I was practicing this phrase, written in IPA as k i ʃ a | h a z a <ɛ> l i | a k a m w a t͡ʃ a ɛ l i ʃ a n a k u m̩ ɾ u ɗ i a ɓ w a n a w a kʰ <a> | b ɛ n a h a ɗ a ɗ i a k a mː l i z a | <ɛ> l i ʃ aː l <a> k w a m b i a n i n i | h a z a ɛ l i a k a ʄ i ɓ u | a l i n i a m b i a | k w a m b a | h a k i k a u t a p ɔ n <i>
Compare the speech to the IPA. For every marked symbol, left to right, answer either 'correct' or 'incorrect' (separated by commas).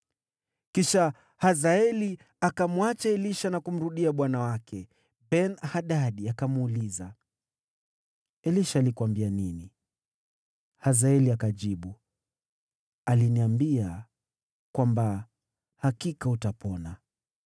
correct, incorrect, correct, incorrect, incorrect